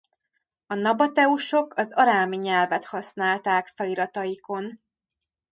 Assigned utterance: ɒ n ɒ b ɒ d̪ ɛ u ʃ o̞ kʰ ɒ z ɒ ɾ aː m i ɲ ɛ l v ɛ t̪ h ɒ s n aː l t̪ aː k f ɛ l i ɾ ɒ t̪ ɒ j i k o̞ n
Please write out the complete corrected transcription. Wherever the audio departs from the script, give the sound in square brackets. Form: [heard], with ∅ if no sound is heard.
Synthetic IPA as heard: ɒ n ɒ b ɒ [t̪] ɛ u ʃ o̞ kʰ ɒ z ɒ ɾ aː m i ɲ ɛ l v ɛ t̪ h ɒ s n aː l t̪ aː k f ɛ l i ɾ ɒ t̪ ɒ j i k o̞ n